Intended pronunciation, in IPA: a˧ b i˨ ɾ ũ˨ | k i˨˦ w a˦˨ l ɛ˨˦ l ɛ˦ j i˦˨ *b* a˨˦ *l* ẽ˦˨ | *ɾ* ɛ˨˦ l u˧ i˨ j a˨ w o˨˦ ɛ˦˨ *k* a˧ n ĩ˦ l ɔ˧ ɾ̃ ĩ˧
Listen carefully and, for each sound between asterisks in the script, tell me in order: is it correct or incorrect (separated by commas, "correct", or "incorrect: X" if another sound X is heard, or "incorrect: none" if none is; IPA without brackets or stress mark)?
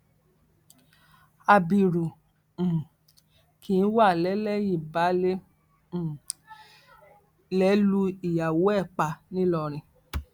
correct, correct, incorrect: l, incorrect: k͡p